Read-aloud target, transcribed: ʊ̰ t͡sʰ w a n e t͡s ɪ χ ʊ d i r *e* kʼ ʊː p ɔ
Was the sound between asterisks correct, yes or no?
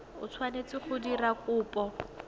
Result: no